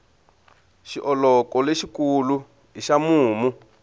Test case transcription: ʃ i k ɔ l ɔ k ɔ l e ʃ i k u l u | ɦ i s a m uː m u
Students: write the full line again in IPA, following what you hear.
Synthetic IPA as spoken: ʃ i ʔ ɔ l ɔ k ɔ l e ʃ i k u l u | ɦ i ʃ a m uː m u